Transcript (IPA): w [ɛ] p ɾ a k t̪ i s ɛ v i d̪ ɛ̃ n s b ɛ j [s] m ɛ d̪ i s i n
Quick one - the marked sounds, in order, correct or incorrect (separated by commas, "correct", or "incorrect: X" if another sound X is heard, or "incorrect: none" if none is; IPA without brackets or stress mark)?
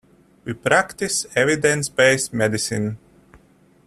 incorrect: i, correct